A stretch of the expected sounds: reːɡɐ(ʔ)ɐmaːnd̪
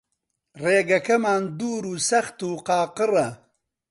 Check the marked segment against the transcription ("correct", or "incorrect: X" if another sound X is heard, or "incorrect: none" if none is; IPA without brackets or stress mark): incorrect: k